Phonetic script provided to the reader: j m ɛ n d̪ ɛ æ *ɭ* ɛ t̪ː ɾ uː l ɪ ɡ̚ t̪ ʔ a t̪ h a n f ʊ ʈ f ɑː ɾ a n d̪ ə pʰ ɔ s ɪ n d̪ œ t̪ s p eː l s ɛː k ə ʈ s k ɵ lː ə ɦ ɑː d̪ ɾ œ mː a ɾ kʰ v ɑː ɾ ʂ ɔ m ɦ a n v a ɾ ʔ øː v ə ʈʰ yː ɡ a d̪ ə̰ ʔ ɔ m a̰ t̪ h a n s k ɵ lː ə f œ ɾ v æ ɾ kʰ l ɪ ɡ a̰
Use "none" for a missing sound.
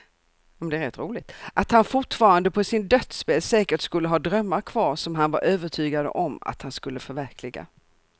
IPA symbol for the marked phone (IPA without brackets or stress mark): ɾ